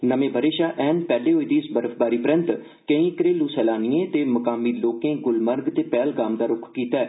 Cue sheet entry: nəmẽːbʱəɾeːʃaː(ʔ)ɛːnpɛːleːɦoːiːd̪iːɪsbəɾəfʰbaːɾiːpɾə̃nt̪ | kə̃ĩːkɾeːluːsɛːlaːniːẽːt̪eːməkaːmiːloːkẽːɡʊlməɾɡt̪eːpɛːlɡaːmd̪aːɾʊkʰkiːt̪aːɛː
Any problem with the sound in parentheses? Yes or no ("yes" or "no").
no